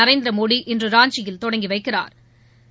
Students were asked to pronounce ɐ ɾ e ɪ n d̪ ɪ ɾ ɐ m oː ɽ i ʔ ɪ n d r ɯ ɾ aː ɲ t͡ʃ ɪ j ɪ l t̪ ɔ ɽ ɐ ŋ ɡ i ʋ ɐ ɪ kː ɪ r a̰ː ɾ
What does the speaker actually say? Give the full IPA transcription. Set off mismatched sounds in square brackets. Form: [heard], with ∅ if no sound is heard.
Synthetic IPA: ɐ ɾ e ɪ n d̪ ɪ ɾ ɐ m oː ɽ i ʔ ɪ n d r ɯ ɾ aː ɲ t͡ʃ ɪ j ɪ l t̪ ɔ ɽ ɐ ŋ ɡ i ʋ ɐ ɪ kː ɪ r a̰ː ɾ